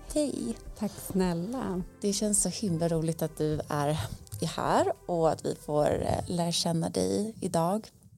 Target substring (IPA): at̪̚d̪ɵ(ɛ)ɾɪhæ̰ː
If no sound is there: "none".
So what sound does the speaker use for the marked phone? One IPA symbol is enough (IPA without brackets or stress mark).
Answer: æ